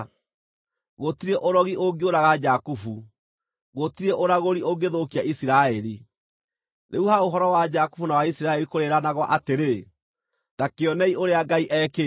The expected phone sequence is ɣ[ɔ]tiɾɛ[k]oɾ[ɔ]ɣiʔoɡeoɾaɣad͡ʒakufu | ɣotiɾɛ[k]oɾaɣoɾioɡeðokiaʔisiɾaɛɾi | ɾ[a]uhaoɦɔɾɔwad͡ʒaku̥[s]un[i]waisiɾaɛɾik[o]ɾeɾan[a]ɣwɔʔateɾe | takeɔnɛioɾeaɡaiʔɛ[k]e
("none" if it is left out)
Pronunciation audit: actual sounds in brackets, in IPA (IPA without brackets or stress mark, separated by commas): o, ʔ, ɔ, ʔ, e, f, a, o, a, k